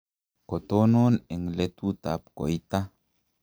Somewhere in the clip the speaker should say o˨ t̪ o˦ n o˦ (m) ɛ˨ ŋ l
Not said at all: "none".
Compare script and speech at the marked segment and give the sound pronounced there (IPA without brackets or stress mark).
n